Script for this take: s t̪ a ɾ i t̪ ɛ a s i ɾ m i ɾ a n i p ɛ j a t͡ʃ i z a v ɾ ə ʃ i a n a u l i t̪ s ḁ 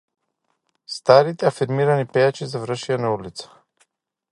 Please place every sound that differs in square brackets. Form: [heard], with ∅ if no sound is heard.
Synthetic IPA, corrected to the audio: s t̪ a ɾ i t̪ ɛ a [f] i ɾ m i ɾ a n i p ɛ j a t͡ʃ i z a v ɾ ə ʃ i a n a u l i t̪ s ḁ